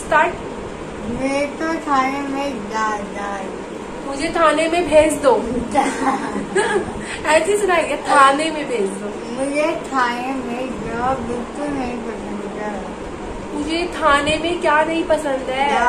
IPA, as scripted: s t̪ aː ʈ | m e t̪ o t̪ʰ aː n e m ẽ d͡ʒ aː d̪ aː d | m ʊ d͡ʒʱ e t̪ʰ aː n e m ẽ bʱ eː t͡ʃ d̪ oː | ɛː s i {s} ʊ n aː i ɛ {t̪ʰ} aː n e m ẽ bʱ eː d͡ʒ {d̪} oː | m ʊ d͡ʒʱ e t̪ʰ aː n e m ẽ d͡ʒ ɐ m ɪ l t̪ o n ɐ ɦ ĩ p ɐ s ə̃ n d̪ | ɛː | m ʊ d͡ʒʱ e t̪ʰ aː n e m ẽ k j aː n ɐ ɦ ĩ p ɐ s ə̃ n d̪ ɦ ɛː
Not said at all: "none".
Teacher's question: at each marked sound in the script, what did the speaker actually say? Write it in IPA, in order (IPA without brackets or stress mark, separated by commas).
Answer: s, t̪ʰ, d̪